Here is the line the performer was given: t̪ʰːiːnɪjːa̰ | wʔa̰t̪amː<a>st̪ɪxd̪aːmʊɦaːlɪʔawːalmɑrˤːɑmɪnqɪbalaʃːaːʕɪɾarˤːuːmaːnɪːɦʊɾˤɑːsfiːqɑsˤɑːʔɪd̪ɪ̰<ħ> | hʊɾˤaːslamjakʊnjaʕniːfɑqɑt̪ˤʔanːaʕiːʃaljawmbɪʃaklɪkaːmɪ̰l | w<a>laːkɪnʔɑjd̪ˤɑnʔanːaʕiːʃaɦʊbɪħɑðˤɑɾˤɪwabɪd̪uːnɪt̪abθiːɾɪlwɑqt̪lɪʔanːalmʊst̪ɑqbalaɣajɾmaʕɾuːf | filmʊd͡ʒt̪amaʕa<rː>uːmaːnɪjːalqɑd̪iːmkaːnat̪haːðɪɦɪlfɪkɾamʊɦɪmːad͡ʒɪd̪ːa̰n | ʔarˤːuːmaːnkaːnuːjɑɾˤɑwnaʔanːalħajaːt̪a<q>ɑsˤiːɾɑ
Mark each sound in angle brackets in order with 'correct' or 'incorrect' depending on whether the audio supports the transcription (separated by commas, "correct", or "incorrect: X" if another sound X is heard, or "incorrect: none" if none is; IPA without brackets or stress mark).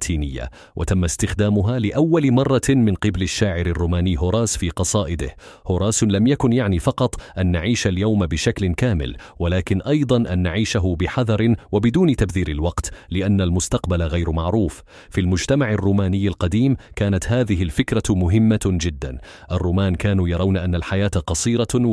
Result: correct, incorrect: h, correct, correct, correct